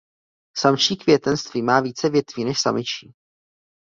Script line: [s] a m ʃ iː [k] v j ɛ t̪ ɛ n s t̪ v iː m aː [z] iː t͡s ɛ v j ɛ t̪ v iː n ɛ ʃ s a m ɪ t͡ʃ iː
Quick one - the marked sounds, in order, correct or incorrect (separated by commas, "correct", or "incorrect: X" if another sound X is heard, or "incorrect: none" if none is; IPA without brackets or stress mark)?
correct, correct, incorrect: v